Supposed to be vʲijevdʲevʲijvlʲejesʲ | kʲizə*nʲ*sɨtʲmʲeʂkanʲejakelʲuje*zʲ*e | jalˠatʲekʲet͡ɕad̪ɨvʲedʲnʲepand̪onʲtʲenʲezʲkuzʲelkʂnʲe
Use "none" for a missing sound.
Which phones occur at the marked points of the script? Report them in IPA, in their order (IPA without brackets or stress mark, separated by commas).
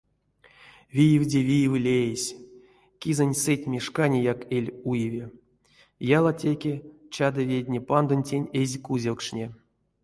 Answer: nʲ, vʲ